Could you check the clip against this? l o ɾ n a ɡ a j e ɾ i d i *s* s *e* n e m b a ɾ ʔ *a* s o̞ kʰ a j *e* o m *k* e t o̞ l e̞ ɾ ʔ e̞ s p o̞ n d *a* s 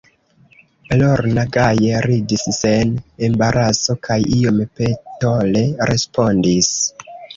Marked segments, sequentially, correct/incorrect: correct, correct, correct, incorrect, incorrect, incorrect

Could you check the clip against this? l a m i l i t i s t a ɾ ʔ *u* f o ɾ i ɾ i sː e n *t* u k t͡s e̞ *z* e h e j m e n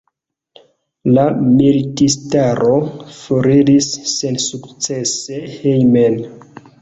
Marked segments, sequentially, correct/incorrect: incorrect, incorrect, incorrect

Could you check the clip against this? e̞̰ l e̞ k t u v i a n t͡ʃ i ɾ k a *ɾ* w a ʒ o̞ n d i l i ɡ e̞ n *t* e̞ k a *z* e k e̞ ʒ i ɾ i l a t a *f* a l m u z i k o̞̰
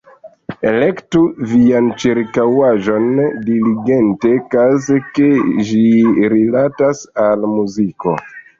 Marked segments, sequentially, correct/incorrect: incorrect, correct, correct, incorrect

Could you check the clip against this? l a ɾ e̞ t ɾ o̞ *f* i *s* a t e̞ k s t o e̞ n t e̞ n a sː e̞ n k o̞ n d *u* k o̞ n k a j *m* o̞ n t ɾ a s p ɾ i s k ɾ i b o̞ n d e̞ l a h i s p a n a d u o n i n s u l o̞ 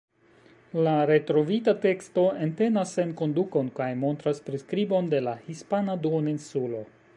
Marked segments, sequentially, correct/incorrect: incorrect, incorrect, correct, correct

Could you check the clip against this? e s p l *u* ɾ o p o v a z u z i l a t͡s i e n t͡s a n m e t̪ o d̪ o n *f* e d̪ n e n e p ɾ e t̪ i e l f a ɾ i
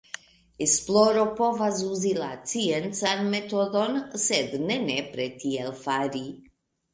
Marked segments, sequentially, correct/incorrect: incorrect, incorrect

